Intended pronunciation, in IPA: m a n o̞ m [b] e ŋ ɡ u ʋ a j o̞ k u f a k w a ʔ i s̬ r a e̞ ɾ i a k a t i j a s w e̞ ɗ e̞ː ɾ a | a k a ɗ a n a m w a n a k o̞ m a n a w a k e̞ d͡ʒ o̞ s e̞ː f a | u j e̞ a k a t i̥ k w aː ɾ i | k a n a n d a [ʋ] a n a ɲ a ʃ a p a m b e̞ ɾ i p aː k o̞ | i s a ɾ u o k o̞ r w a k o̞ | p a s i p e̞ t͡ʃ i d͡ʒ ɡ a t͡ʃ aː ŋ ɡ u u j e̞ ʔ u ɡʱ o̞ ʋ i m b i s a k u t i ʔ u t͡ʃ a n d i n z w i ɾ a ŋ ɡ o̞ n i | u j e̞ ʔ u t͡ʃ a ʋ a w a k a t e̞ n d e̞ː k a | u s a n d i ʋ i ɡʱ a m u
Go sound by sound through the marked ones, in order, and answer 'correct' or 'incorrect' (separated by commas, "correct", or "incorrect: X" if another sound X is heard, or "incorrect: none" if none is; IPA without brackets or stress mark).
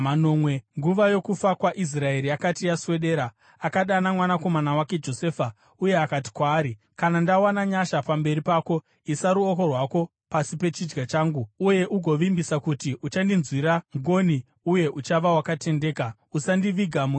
incorrect: w, incorrect: w